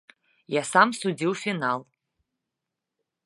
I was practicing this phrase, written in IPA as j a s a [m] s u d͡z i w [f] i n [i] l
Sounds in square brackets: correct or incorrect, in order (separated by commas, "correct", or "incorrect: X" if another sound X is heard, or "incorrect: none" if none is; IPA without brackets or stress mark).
correct, correct, incorrect: a